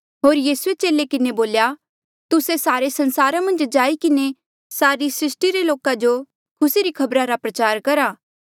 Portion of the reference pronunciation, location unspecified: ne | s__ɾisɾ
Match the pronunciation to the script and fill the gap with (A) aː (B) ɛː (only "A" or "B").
A